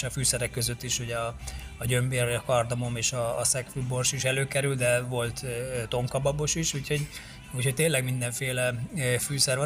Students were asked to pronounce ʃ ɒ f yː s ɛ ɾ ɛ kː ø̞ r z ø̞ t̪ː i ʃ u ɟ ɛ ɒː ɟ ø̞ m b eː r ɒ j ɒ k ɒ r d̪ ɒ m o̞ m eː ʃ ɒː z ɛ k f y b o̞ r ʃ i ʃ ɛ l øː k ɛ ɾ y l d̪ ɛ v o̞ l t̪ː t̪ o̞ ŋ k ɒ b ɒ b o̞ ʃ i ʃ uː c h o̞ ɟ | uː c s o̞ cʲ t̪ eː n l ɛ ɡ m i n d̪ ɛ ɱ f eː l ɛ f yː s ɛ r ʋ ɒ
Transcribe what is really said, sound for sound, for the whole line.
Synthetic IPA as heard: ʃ ɒ f yː s ɛ ɾ ɛ kː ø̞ z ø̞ t̪ː i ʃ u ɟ ɛ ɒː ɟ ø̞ m b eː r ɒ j ɒ k ɒ r d̪ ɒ m o̞ m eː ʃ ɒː s ɛ k f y b o̞ r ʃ i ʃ ɛ l øː k ɛ ɾ y l d̪ ɛ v o̞ l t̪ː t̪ o̞ ŋ k ɒ b ɒ b o̞ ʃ i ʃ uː c h o̞ ɟ | uː c h o̞ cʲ t̪ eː n l ɛ ɡ m i n d̪ ɛ ɱ f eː l ɛ f yː s ɛ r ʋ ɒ